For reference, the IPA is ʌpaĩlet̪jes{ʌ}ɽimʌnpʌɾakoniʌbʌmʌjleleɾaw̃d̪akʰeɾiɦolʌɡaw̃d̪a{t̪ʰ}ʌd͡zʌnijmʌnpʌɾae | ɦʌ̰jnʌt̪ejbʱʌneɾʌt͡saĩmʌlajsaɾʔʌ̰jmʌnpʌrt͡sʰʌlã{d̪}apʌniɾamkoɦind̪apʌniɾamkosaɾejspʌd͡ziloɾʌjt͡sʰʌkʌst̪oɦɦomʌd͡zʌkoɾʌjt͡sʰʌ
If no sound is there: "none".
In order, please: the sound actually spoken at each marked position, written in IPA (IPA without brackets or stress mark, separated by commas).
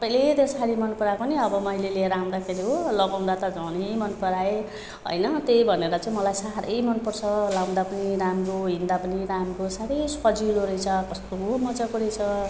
a, t̪, d̪